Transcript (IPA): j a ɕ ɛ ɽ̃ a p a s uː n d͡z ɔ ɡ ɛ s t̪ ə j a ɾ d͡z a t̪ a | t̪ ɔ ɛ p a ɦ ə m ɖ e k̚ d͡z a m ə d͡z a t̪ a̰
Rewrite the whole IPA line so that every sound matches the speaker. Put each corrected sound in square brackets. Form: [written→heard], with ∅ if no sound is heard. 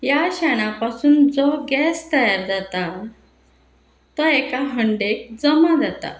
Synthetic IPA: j a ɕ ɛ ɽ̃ a p a s uː n d͡z ɔ ɡ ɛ s t̪ ə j a ɾ d͡z a t̪ a | t̪ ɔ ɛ [p→k] a ɦ ə [m→ɳ] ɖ e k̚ d͡z [a→ə] m [ə→a] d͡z a t̪ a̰